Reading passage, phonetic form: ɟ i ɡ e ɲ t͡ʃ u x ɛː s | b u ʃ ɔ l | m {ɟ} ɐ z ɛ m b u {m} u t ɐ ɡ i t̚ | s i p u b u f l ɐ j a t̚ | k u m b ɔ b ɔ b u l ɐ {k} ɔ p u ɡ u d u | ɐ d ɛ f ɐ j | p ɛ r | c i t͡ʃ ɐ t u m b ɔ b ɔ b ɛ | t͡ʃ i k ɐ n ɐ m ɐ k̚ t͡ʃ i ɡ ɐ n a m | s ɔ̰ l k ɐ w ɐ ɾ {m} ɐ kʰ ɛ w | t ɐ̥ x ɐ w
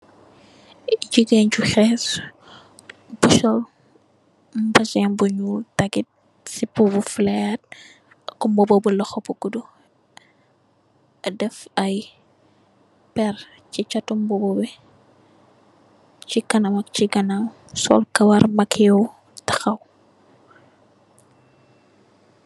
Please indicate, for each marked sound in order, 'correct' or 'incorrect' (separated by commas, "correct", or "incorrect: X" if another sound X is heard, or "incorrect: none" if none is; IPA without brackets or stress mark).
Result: incorrect: b, incorrect: ɲ, incorrect: x, correct